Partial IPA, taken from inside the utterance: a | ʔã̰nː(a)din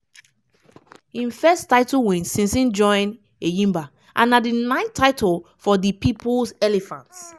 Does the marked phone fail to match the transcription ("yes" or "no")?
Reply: no